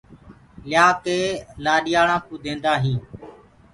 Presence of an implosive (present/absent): present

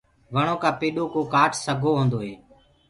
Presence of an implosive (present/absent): present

